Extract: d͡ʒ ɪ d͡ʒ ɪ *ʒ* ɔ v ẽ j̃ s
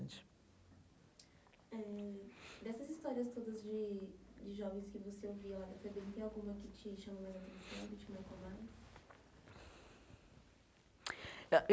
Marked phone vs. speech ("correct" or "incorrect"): correct